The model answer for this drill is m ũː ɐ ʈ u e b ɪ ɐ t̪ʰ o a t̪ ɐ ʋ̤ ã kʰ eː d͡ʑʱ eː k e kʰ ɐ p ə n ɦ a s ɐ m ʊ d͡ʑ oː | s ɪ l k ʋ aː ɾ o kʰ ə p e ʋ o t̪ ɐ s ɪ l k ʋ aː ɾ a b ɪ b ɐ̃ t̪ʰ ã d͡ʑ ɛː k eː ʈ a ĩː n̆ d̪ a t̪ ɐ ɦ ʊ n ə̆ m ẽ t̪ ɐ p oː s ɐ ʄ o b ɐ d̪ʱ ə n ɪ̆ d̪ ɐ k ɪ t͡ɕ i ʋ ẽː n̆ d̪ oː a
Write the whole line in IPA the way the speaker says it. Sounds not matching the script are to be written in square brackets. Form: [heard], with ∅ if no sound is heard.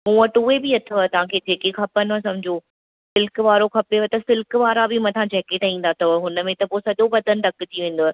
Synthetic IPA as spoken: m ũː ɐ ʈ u e b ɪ ɐ t̪ʰ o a t̪ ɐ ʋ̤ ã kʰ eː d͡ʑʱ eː k e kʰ ɐ p ə n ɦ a s ɐ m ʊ d͡ʑ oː | s ɪ l k ʋ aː ɾ o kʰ [ɐ] p e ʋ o t̪ ɐ s ɪ l k ʋ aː ɾ a b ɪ [m] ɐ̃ t̪ʰ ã d͡ʑ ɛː k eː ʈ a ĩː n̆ d̪ a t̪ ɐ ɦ ʊ n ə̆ m ẽ t̪ ɐ p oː s ɐ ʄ o b ɐ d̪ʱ ə n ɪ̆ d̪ ɐ k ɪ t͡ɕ i ʋ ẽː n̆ d̪ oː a

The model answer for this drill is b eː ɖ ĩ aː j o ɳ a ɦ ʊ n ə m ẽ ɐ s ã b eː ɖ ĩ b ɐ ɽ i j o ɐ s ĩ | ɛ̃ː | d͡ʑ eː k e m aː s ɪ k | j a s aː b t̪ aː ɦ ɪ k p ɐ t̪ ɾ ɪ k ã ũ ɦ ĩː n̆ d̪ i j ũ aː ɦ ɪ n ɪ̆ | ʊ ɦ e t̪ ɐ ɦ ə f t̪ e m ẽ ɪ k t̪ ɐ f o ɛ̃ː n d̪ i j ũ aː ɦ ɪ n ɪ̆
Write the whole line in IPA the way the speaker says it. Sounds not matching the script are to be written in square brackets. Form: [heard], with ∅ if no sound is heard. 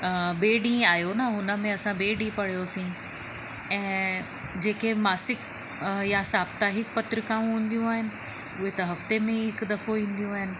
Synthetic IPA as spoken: b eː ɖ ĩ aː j o [n] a ɦ ʊ n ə m ẽ ɐ s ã b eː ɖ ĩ [p] ɐ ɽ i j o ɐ s ĩ | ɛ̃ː | d͡ʑ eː k e m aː s ɪ k | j a s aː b t̪ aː ɦ ɪ k p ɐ t̪ ɾ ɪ k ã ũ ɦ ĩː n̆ d̪ i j ũ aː ɦ ɪ n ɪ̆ | ʊ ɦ e t̪ ɐ ɦ [ɐ] f t̪ e m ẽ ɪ k [d̪] ɐ f o [ĩː] n d̪ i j ũ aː ɦ ɪ n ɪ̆

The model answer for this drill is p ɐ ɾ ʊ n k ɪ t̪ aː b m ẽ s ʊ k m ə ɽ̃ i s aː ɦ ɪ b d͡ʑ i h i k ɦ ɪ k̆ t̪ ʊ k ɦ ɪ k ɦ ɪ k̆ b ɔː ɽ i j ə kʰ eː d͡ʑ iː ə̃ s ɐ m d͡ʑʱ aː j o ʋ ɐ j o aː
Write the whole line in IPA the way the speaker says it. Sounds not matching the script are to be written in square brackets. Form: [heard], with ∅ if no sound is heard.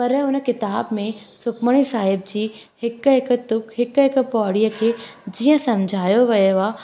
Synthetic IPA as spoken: p ɐ ɾ ʊ n k ɪ t̪ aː b m ẽ s ʊ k m ə ɽ̃ i s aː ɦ ɪ b d͡ʑ [iː] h [ɪ] k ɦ ɪ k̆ t̪ ʊ k ɦ ɪ k ɦ ɪ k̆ [p] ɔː ɽ i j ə kʰ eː d͡ʑ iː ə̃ s ɐ m d͡ʑʱ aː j o ʋ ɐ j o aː

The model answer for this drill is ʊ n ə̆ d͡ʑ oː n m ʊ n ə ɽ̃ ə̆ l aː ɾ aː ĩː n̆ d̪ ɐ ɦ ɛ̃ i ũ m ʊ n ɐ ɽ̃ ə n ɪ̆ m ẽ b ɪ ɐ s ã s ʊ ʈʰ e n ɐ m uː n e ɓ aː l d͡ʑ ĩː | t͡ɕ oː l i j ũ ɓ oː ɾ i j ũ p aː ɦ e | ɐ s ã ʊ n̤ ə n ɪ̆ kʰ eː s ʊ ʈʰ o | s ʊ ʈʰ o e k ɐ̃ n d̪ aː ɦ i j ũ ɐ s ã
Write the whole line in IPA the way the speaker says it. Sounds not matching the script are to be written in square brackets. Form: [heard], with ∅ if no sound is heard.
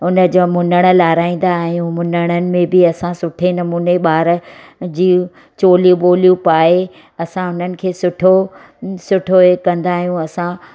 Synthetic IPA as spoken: ʊ n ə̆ d͡ʑ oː [∅] m ʊ n ə ɽ̃ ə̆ l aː ɾ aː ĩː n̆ d̪ [a] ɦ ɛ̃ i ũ m ʊ n [ə] ɽ̃ ə n ɪ̆ m ẽ b ɪ ɐ s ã s ʊ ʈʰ e n ɐ m uː n e ɓ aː [ɾ] d͡ʑ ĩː | t͡ɕ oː l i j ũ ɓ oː [l] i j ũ p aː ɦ e | ɐ s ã ʊ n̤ ə n ɪ̆ kʰ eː s ʊ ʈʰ o | s ʊ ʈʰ o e k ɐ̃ n d̪ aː ɦ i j ũ ɐ s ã

